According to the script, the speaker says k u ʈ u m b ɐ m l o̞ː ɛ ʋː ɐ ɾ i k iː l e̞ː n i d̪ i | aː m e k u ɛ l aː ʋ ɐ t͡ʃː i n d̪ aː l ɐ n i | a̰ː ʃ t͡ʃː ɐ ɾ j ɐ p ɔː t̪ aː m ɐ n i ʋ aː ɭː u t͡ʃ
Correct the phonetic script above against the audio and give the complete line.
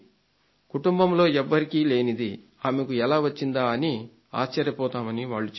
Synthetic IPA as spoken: k u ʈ u m b ɐ m l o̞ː ɛ ʋː ɐ ɾ i k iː l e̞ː n i d̪ i | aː m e k u ɛ l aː ʋ ɐ t͡ʃː i n d̪ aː ɐ n i | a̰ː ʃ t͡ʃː ɐ ɾ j ɐ p ɔː t̪ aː m ɐ n i ʋ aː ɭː u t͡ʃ